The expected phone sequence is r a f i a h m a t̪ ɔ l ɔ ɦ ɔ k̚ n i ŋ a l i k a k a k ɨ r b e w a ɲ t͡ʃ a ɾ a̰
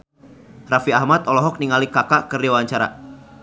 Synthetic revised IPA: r a f i a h m a t̪ ɔ l ɔ ɦ ɔ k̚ n i ŋ a l i k a k a k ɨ r d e w a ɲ t͡ʃ a ɾ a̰

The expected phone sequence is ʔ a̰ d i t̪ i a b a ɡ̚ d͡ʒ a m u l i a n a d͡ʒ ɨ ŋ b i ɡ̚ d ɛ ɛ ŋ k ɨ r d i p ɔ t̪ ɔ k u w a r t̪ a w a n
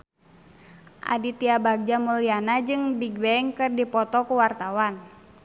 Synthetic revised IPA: ʔ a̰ d i t̪ i a b a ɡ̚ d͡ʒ a m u l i a n a d͡ʒ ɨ ŋ b i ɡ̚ b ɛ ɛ ŋ k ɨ r d i p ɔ t̪ ɔ k u w a r t̪ a w a n

